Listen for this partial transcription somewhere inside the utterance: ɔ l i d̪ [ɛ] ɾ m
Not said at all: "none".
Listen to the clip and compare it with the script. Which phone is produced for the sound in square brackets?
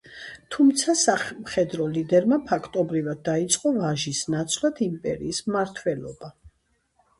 ɛ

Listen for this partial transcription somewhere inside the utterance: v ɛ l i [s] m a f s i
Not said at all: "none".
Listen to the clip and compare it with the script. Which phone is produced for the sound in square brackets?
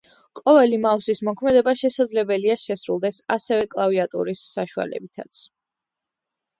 none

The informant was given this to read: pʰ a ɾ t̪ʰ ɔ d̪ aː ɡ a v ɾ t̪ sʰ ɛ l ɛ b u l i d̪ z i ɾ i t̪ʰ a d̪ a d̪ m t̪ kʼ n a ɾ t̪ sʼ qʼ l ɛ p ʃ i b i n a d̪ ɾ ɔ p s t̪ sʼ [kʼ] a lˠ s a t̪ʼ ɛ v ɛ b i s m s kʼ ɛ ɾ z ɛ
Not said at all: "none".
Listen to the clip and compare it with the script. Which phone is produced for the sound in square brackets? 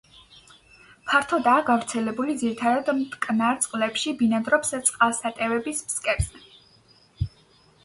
qʼ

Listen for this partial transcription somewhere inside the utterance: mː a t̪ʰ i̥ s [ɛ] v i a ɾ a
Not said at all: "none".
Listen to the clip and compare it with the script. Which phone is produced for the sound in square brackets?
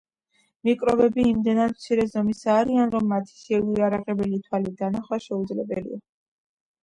ɛ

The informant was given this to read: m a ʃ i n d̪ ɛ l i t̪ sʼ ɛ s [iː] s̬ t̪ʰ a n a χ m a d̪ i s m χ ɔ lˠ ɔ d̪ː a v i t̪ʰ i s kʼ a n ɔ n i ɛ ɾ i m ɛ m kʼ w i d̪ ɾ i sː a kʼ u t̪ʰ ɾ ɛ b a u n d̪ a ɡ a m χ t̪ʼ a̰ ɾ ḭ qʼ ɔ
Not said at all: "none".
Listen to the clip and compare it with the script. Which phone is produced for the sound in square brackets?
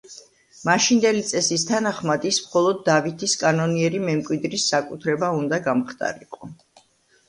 i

